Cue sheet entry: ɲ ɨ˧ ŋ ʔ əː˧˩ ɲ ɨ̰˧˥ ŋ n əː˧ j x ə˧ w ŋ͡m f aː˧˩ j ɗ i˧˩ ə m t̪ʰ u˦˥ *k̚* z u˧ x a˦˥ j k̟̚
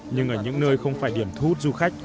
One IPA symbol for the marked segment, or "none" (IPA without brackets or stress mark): t̚